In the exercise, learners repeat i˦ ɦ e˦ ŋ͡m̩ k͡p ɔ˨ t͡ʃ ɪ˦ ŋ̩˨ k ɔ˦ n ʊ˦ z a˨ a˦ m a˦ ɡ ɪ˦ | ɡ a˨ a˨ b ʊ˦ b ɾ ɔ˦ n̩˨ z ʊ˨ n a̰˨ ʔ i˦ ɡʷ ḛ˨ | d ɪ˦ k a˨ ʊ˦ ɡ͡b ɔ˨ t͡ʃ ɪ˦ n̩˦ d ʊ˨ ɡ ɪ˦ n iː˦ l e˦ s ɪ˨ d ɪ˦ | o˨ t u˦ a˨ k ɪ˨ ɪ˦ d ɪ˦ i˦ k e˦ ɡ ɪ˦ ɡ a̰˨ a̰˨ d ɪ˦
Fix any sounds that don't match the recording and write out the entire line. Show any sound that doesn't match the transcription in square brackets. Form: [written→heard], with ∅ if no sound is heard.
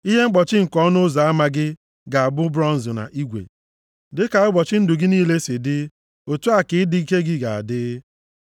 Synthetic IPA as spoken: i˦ ɦ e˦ ŋ͡m̩ k͡p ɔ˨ t͡ʃ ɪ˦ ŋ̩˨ k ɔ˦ n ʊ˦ z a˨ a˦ m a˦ ɡ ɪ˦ | ɡ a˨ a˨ b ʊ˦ b ɾ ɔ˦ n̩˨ z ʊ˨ n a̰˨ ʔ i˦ ɡʷ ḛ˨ | d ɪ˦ k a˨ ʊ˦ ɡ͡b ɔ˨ t͡ʃ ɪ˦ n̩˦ d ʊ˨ ɡ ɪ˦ n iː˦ l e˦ s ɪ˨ d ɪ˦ | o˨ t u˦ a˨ k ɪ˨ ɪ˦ d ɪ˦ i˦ k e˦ ɡ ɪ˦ ɡ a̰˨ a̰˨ d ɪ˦

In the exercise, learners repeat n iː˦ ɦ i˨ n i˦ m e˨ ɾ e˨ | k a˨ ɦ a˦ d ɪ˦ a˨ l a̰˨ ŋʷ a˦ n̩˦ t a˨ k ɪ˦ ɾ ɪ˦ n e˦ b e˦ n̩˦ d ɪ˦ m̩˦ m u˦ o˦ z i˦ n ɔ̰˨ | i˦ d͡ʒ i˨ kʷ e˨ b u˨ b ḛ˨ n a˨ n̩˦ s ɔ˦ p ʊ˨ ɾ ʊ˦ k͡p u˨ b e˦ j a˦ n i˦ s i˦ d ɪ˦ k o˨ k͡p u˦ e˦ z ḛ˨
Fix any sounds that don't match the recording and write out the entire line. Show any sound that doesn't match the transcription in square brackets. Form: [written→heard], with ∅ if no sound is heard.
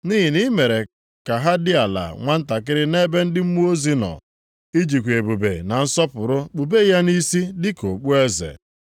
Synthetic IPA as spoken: n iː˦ ɦ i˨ n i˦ m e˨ ɾ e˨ | k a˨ ɦ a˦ d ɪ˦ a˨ l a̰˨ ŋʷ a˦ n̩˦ t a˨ k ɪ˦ ɾ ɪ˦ n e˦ b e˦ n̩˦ d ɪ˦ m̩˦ m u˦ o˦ z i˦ n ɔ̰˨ | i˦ d͡ʒ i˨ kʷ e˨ b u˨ b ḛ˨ n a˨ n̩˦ s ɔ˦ p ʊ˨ ɾ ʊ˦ k͡p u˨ b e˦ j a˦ n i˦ s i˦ d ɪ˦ k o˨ k͡p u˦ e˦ z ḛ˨

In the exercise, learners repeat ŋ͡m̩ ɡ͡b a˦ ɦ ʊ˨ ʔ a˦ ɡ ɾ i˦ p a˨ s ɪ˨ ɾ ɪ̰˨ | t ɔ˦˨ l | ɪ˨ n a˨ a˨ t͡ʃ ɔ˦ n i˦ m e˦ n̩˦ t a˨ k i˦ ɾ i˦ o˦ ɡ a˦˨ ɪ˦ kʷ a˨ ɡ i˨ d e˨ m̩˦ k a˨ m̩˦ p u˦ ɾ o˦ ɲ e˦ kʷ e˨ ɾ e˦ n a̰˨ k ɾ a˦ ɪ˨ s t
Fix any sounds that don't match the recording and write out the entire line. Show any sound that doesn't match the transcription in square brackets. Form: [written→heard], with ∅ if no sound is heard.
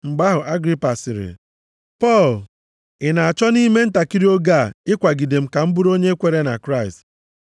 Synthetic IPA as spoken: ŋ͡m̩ ɡ͡b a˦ ɦ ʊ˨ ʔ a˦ ɡ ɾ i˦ p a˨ s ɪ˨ ɾ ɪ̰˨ | [t→p] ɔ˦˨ l | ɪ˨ n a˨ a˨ t͡ʃ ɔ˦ n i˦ m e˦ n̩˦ t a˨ k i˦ ɾ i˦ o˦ ɡ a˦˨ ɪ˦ kʷ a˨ ɡ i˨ d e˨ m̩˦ k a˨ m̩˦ [p→b] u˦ ɾ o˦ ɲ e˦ kʷ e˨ ɾ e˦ n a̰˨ k ɾ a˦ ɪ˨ s t

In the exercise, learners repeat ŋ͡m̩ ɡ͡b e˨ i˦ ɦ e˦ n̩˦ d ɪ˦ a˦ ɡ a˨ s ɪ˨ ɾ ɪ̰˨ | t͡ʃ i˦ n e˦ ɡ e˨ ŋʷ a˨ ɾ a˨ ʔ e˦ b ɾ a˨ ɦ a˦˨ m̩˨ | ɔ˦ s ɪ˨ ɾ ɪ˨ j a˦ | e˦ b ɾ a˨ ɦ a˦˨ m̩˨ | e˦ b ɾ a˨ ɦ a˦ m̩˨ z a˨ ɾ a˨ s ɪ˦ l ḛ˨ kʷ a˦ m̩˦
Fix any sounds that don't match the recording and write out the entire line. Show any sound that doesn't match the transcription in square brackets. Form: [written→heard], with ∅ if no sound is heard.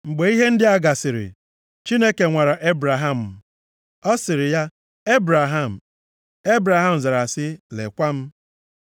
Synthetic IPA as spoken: ŋ͡m̩ ɡ͡b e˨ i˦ ɦ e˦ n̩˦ d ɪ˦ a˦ ɡ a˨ s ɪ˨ ɾ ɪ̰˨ | t͡ʃ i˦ n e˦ [ɡ→k] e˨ ŋʷ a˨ ɾ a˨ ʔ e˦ b ɾ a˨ ɦ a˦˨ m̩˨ | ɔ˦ s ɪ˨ ɾ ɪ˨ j a˦ | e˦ b ɾ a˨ ɦ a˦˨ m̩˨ | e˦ b ɾ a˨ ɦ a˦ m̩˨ z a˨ ɾ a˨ s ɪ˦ l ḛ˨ kʷ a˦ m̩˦

